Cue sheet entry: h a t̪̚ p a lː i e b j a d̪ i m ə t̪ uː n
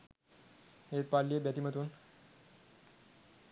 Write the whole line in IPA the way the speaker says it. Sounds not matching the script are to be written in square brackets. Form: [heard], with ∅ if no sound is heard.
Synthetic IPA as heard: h [e] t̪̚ p a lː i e b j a [t̪] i m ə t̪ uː n